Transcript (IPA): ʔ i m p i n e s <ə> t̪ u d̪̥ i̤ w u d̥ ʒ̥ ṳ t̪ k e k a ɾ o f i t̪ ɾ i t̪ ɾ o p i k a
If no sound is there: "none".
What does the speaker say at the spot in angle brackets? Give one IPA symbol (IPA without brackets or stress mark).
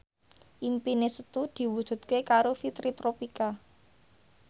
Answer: ə